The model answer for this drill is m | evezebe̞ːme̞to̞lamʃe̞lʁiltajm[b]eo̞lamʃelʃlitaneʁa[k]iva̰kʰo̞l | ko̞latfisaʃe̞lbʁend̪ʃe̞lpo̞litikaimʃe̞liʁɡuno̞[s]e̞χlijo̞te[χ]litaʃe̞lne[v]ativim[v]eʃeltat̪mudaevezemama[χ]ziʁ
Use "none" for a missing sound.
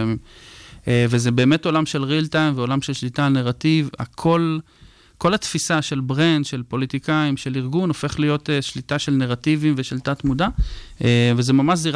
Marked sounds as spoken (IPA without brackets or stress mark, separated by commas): v, t, f, ʃ, ʁ, v, ʃ